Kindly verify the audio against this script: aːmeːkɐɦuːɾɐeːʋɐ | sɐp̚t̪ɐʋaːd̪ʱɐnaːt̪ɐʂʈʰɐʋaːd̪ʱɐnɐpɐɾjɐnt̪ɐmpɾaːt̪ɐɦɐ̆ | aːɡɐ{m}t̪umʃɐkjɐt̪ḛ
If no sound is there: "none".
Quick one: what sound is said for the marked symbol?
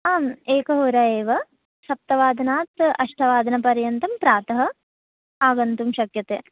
n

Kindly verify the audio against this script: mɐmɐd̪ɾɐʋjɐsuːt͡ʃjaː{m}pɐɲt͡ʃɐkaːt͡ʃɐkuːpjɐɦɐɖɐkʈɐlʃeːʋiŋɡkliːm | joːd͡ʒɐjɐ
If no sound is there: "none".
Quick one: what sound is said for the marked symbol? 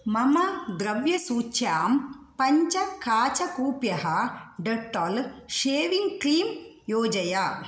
m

